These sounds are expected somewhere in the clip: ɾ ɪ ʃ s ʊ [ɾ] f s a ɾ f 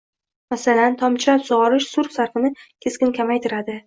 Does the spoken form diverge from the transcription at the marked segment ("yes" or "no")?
no